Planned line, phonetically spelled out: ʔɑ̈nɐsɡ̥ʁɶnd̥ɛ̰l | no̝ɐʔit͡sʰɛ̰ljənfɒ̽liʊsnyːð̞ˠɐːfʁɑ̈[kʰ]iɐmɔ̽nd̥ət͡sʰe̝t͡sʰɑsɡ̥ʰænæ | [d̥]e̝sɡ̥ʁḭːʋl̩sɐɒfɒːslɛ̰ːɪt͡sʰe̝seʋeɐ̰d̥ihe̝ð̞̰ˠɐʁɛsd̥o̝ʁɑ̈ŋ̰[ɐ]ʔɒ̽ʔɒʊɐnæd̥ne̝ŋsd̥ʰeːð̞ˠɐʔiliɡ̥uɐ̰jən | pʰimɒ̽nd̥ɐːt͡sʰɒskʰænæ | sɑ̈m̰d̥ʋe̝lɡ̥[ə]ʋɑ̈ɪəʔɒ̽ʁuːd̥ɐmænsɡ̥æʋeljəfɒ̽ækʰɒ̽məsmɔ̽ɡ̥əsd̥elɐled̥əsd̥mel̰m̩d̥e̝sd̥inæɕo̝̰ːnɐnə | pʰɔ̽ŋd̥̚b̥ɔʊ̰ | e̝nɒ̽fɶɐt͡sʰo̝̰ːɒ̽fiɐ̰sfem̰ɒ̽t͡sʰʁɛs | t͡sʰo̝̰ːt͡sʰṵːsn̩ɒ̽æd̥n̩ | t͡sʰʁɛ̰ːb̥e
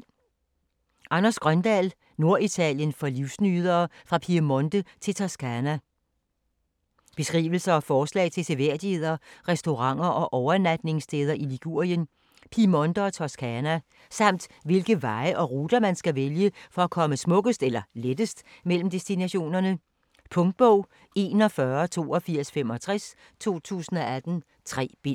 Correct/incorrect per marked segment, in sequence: incorrect: pʰ, incorrect: b̥, correct, correct

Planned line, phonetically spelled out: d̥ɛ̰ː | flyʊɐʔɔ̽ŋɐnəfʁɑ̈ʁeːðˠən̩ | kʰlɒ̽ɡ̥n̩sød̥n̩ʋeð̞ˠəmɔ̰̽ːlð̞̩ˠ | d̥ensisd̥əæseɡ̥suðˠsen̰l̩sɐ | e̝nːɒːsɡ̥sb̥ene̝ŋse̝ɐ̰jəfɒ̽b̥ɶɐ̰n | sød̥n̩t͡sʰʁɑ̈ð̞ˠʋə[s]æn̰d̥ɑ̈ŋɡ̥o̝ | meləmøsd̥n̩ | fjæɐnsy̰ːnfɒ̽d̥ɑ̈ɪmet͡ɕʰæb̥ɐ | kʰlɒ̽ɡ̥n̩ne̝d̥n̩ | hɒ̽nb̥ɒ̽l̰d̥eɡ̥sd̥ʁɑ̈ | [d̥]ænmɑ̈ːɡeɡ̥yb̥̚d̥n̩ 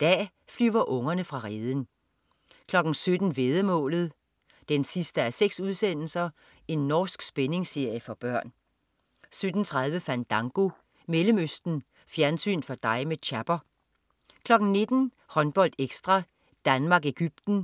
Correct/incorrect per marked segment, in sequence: incorrect: f, correct

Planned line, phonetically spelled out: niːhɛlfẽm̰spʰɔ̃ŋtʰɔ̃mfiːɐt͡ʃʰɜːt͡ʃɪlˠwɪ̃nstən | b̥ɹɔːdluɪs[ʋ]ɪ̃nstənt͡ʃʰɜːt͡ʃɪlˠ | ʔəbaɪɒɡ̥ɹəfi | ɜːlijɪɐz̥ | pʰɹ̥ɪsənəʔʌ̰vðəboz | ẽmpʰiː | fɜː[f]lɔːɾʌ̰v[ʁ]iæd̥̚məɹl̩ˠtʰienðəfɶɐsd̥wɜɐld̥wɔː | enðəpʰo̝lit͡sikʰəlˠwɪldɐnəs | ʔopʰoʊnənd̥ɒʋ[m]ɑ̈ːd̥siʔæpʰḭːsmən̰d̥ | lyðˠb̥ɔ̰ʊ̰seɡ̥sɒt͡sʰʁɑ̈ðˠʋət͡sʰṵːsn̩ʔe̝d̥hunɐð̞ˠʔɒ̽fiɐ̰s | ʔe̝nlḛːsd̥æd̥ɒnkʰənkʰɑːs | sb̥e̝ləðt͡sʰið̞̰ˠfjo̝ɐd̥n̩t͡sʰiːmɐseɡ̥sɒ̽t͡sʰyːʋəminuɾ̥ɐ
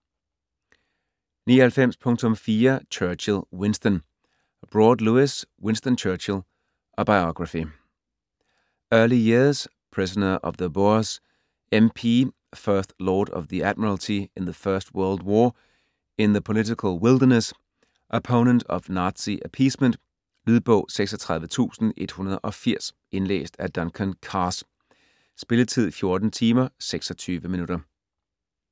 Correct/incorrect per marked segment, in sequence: incorrect: w, incorrect: θ, incorrect: ð, incorrect: n

